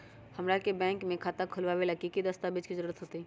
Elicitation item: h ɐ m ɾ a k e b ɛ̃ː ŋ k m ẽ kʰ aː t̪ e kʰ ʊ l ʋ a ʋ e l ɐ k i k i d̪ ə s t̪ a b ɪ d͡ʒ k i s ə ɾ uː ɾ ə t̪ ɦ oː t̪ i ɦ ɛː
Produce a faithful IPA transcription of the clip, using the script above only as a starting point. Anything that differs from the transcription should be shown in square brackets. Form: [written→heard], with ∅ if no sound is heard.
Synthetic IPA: h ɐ m ɾ a k e b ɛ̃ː ŋ k m ẽ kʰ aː t̪ [e→a] kʰ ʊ l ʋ a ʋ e l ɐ k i k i d̪ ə s t̪ a b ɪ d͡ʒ k i [s→z] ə ɾ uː ɾ ə t̪ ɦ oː t̪ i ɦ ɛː